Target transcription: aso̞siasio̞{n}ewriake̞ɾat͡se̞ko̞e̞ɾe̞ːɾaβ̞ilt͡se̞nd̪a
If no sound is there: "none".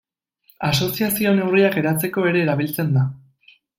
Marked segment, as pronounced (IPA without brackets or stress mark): n